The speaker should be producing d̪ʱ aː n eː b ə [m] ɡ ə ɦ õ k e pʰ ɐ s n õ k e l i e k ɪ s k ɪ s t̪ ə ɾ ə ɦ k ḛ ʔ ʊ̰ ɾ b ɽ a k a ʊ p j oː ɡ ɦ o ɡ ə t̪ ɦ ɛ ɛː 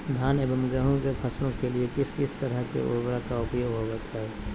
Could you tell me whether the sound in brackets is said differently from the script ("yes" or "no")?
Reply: no